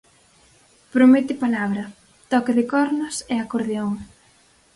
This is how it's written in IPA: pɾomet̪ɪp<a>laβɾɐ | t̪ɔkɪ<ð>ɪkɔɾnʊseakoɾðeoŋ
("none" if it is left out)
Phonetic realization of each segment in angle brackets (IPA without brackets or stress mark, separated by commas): a, ð